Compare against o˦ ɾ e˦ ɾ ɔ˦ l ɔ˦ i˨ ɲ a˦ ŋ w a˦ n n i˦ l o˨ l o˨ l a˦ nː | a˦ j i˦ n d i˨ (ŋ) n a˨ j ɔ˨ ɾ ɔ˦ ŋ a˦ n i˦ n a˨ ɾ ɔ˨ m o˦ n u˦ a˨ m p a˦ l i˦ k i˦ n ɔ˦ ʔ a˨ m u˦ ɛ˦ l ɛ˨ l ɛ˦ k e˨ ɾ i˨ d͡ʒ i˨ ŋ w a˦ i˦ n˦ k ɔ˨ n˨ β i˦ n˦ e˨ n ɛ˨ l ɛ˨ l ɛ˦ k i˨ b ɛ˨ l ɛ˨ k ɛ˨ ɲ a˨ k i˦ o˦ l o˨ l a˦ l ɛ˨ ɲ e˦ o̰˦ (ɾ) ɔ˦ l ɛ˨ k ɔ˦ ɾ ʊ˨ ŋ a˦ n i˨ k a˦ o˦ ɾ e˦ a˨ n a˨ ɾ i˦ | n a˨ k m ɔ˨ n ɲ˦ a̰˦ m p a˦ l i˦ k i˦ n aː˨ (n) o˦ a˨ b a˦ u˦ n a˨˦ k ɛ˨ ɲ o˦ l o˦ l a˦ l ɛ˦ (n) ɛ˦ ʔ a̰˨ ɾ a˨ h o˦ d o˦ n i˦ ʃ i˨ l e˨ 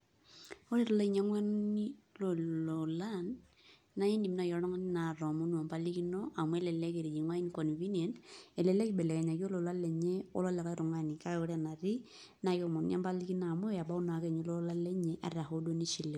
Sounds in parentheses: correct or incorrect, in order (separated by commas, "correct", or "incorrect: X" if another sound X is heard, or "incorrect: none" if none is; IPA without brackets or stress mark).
incorrect: m, incorrect: l, incorrect: m, incorrect: ɲ